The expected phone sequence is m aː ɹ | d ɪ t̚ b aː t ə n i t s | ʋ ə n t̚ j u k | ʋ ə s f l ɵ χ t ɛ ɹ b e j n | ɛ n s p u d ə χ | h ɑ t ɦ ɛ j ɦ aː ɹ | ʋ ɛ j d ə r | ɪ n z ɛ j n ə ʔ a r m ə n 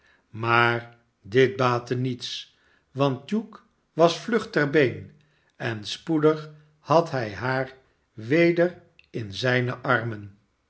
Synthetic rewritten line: m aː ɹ | d ɪ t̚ b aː t ə n i t s | ʋ ɑ n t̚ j u k | ʋ ɑ s f l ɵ χ t ɛ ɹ b e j n | ɛ n s p u d ə χ | h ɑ t ɦ ɛ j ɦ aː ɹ | ʋ e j d ə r | ɪ n z ɛ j n ə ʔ ɑ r m ə n